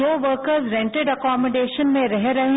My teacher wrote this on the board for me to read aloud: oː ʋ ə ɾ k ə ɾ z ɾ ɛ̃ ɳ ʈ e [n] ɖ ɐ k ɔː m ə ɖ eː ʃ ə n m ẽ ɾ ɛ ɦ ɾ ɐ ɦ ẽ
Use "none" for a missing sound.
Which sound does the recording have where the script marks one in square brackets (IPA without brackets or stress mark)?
none